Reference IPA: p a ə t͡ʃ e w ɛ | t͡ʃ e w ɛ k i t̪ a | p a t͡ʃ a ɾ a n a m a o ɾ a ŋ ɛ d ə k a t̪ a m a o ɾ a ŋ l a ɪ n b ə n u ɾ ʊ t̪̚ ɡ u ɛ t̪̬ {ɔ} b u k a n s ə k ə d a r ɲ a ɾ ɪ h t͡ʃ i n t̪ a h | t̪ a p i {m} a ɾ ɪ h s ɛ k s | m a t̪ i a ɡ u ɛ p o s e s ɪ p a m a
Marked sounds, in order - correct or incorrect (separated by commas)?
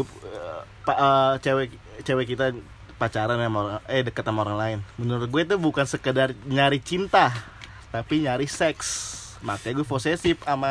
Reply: incorrect, incorrect